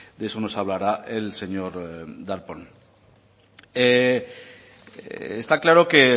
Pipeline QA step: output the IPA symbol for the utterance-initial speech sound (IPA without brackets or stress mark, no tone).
d̪